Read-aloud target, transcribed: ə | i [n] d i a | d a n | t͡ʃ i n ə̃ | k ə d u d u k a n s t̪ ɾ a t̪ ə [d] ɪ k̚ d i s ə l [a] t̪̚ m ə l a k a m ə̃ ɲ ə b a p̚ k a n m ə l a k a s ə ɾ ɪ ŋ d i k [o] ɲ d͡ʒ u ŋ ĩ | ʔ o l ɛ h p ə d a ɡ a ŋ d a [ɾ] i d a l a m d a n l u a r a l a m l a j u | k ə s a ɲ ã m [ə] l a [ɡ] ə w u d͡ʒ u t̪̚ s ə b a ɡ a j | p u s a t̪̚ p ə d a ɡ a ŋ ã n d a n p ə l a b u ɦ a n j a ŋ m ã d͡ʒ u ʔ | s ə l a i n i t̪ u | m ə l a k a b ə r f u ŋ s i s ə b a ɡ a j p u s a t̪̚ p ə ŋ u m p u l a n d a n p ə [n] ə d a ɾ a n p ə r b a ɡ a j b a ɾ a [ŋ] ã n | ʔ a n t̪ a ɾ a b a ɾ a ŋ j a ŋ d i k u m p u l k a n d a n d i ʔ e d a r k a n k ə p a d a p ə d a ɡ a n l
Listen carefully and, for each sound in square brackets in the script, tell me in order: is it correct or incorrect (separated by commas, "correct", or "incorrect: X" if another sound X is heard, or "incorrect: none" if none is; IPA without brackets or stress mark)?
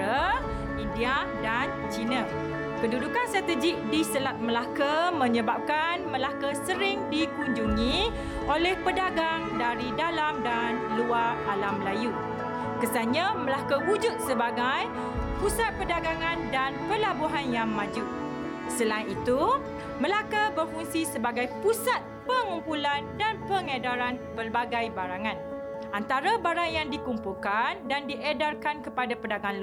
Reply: correct, incorrect: d͡ʒ, correct, incorrect: u, correct, correct, incorrect: k, incorrect: ŋ, correct